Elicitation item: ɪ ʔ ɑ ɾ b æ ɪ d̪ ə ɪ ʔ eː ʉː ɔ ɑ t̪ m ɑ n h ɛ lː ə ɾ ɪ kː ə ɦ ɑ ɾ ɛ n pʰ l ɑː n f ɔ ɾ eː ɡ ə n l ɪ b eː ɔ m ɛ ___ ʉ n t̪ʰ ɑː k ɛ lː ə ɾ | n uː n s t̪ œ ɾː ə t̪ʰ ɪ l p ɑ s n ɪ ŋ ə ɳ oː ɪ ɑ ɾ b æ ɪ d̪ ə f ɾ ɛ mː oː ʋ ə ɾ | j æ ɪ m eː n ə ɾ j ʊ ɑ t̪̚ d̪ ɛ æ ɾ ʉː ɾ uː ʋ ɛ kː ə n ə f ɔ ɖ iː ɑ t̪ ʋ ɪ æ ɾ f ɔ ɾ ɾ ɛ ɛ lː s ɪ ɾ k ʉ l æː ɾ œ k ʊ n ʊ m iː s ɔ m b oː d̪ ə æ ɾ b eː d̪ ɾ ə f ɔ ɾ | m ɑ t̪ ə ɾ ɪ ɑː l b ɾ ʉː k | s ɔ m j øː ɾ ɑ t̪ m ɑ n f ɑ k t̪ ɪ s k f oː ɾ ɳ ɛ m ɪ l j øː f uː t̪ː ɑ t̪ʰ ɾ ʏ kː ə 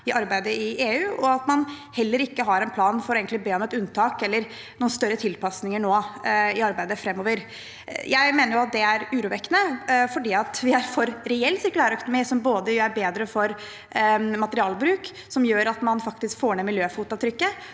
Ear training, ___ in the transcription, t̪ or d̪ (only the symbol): t̪